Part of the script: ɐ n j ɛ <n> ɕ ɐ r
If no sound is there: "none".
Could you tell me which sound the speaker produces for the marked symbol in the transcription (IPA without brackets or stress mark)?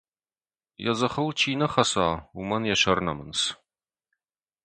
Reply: none